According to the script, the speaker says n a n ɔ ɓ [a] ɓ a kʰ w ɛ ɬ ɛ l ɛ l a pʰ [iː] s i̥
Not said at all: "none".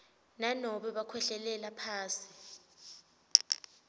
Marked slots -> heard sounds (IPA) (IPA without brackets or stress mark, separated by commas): ɛ, aː